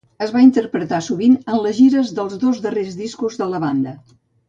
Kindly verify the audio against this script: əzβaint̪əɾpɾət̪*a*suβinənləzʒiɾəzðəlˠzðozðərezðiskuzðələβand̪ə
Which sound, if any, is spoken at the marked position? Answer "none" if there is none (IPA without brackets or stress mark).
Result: a